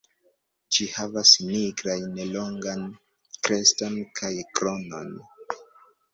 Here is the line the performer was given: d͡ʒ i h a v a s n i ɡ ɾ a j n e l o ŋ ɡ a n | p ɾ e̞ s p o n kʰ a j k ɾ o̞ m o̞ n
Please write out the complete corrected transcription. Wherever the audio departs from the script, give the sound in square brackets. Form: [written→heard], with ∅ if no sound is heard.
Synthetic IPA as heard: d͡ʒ i h a v a s n i ɡ ɾ a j n e l o ŋ ɡ a n | [p→k] ɾ e̞ s [p→t] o n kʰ a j k ɾ o̞ [m→n] o̞ n